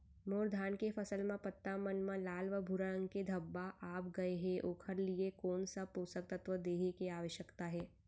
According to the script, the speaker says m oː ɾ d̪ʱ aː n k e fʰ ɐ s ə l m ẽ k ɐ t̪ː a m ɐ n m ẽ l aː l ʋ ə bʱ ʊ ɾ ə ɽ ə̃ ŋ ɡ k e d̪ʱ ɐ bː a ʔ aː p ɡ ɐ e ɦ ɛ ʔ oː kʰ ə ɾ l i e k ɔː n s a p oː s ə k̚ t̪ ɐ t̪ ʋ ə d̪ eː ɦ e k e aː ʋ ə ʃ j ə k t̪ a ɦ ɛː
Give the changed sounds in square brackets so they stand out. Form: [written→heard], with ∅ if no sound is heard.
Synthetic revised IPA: m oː ɾ d̪ʱ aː n k e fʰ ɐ s ə l m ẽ [k→p] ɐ t̪ː a m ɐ n m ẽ l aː l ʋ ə bʱ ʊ ɾ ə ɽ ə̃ ŋ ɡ k e d̪ʱ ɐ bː a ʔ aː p ɡ ɐ e ɦ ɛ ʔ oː kʰ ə ɾ l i e k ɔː n s a p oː s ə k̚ t̪ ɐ t̪ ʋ ə d̪ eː ɦ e k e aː ʋ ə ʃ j ə k t̪ a ɦ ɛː

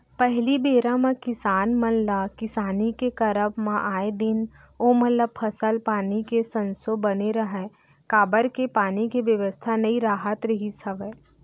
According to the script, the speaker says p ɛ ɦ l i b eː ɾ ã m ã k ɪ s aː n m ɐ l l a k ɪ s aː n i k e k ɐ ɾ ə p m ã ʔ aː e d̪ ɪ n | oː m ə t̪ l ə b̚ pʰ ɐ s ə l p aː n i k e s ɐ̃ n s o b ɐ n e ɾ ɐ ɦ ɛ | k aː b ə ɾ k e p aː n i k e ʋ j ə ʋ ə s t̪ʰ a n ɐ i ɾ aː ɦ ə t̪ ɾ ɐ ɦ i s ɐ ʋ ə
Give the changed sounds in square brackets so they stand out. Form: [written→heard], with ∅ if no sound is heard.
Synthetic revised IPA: p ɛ ɦ l i b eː ɾ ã m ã k ɪ s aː n m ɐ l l a k ɪ s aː n i k e k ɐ ɾ ə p m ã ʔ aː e d̪ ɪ n | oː m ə t̪ l ə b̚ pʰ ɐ s ə l p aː n i k e s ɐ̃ n s o b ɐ n e ɾ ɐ ɦ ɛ | k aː b ə ɾ k e p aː n i k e ʋ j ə ʋ ə s t̪ʰ a n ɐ i ɾ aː ɦ ə t̪ ɾ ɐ ɦ i s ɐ ʋ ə

